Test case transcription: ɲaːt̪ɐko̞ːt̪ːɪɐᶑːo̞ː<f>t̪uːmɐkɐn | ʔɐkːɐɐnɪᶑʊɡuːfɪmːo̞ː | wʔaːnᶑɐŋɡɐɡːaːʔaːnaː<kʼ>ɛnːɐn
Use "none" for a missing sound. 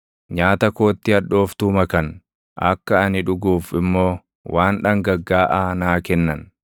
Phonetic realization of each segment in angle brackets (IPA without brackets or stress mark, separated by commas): f, k